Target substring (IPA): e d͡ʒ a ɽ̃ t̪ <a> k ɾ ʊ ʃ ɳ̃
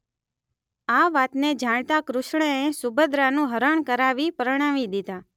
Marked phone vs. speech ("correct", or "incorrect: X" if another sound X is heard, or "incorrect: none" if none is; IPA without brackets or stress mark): correct